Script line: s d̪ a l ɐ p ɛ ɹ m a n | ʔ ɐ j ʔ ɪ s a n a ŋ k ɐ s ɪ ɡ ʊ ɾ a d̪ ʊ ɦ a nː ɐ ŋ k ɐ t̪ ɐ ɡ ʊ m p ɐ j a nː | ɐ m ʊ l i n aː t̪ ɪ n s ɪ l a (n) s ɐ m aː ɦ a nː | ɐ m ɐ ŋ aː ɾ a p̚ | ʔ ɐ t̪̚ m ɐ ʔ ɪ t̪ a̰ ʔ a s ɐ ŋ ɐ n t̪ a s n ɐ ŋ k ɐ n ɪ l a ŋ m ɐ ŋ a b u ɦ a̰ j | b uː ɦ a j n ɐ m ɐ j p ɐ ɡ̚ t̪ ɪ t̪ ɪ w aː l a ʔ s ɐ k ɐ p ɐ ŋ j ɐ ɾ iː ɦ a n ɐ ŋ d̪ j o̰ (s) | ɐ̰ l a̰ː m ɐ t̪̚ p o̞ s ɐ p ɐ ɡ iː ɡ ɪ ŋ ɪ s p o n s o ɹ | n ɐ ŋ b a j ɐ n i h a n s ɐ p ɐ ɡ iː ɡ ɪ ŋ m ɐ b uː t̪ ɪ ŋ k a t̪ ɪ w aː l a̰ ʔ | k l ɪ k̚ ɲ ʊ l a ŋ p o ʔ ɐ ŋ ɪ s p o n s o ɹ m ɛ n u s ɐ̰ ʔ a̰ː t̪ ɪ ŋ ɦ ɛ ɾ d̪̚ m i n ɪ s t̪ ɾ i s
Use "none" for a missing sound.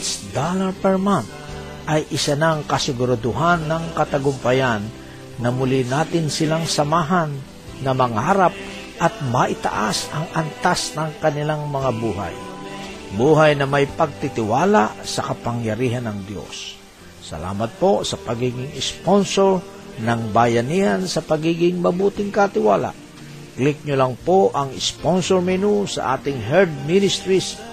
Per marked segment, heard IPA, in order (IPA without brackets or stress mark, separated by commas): ŋ, sː